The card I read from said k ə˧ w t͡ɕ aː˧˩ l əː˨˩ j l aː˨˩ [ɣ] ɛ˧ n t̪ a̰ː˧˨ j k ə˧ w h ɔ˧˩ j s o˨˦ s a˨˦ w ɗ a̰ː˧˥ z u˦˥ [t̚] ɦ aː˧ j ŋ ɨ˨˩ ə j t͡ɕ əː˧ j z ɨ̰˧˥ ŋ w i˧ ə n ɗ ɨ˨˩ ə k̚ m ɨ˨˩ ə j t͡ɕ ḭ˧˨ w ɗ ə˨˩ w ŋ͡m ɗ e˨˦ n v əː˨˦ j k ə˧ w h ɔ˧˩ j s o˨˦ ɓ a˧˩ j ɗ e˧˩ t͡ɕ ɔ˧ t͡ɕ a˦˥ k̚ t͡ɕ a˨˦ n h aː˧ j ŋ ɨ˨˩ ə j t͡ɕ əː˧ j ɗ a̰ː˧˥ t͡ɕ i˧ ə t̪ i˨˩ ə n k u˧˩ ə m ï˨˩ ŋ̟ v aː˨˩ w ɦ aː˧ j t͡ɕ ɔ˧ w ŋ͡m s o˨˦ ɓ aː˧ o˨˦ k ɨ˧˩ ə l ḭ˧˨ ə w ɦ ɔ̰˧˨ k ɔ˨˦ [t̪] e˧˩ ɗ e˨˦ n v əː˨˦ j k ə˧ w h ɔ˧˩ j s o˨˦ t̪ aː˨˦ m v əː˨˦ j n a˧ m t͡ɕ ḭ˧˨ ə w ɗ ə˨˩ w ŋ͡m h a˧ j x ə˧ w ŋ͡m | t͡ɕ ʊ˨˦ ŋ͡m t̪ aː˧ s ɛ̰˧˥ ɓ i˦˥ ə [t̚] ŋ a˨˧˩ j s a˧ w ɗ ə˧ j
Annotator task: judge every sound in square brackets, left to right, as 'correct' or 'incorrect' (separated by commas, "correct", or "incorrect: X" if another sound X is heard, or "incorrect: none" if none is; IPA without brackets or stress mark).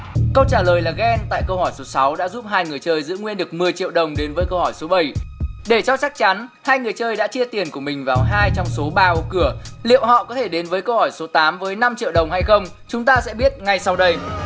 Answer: correct, incorrect: p̚, incorrect: t̪ʰ, correct